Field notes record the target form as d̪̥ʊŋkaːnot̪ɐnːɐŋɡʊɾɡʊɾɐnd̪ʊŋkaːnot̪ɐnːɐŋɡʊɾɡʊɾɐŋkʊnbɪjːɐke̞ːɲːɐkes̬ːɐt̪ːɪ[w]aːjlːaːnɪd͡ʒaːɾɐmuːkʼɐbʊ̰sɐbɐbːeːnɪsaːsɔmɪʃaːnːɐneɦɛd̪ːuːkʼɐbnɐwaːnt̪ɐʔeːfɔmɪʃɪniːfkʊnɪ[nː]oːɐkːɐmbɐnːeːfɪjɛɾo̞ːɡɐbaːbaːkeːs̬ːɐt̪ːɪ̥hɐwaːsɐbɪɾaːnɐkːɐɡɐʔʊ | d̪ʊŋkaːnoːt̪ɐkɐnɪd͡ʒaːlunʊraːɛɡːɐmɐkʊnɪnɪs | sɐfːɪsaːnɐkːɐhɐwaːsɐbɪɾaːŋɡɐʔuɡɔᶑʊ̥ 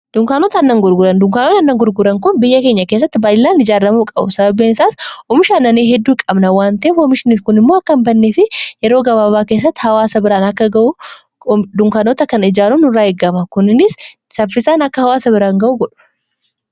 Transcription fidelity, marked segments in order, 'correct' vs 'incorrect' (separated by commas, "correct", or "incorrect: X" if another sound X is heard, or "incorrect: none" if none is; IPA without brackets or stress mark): incorrect: b, incorrect: mː